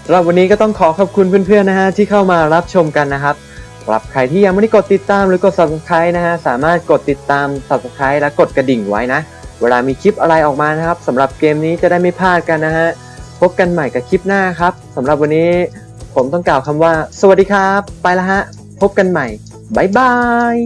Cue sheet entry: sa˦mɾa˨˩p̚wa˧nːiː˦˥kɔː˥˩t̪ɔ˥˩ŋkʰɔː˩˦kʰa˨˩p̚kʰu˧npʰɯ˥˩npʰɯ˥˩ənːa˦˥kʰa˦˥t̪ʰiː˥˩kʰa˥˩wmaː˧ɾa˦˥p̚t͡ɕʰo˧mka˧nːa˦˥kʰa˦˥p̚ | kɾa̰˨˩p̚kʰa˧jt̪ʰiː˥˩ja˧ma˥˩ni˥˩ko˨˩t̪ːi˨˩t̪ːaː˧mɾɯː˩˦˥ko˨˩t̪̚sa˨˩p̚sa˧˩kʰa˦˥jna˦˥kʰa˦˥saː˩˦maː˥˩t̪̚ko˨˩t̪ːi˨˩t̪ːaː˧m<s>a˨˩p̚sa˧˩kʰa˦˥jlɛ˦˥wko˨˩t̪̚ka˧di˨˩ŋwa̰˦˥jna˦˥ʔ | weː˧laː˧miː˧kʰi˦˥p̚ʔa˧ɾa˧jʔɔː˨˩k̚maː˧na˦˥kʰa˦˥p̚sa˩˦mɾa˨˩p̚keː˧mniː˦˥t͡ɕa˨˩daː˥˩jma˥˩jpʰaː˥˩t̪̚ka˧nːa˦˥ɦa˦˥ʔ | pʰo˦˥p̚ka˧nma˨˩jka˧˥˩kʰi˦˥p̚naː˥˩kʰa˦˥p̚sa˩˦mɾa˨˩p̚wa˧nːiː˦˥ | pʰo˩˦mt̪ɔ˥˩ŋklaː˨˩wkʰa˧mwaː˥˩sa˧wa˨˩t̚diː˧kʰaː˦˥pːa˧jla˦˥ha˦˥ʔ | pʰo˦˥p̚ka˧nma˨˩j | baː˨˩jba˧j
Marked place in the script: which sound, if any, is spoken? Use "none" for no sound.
s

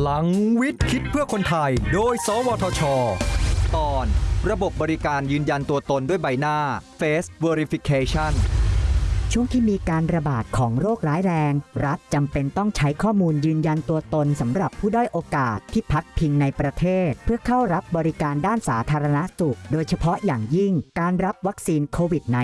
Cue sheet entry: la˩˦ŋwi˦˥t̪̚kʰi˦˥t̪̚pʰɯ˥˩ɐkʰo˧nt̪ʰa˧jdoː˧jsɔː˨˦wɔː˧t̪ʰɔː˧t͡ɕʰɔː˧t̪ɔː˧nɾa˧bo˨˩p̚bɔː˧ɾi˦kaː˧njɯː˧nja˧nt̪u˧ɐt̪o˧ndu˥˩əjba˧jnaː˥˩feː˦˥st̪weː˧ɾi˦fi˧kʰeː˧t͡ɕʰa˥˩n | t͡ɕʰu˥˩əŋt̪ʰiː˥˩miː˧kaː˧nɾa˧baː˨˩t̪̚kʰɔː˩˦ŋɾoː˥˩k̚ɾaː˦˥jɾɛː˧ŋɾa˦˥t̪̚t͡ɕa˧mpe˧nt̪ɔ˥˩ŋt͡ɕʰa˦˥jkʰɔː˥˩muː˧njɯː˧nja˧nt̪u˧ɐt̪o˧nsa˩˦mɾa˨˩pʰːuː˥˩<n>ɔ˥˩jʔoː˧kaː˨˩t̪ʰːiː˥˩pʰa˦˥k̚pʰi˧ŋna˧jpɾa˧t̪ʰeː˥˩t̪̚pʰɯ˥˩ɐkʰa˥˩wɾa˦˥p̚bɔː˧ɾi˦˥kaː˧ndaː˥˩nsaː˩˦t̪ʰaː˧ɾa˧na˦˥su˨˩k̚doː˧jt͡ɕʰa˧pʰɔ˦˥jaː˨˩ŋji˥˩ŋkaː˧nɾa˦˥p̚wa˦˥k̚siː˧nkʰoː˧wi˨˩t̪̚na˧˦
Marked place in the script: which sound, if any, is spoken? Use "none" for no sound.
d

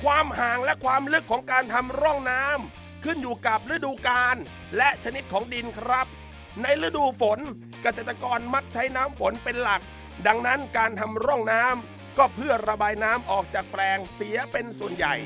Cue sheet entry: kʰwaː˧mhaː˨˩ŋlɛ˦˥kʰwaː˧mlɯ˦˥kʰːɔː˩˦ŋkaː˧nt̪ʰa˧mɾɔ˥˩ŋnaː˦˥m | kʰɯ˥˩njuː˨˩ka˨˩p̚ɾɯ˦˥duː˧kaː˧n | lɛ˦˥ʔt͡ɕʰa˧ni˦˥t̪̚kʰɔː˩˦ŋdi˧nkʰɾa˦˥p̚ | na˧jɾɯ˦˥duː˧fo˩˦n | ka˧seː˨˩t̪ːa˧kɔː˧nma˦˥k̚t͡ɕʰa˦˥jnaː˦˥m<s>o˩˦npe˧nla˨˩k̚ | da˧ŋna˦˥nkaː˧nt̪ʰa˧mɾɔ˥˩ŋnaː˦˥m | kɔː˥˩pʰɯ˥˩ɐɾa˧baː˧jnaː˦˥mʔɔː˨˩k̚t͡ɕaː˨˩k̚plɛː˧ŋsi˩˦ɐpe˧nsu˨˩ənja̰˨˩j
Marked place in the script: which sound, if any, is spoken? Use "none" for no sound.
f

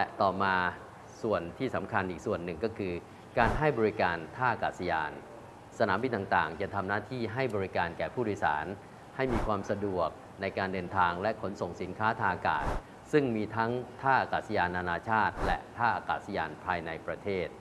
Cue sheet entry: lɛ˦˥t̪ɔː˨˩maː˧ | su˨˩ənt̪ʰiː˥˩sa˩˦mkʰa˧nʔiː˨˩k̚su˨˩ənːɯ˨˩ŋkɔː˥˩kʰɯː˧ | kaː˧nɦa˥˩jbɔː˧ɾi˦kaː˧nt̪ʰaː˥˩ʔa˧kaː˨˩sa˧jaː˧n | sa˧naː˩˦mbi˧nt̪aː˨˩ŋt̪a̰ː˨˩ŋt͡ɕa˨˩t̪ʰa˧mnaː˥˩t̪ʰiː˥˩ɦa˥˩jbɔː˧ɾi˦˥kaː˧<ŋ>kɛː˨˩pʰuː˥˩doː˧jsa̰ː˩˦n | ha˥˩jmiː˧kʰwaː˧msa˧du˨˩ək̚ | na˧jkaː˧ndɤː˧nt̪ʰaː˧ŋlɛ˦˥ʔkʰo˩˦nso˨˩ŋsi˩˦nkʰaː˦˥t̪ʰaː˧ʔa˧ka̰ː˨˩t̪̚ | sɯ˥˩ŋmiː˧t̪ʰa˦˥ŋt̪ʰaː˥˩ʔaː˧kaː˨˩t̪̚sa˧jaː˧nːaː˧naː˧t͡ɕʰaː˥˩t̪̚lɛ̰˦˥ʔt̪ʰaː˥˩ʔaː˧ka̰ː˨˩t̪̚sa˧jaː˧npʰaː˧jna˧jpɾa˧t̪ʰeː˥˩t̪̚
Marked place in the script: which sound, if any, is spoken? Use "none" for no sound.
n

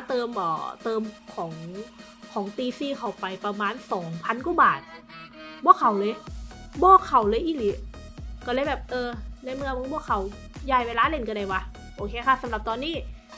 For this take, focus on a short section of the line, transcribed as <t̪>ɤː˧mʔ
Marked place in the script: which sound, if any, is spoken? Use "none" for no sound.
t̪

